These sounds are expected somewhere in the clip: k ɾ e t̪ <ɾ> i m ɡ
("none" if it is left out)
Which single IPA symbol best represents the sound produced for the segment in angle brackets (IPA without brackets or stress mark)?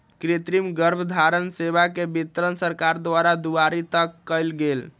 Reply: ɾ